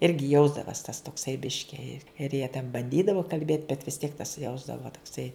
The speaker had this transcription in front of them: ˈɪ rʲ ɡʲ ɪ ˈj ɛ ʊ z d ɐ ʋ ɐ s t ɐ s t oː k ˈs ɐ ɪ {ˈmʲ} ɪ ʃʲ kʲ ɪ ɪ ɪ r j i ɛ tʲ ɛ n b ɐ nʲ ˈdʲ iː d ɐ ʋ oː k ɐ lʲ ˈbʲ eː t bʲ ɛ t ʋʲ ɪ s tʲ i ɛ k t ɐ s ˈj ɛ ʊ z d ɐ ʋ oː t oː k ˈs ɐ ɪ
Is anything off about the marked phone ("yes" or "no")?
yes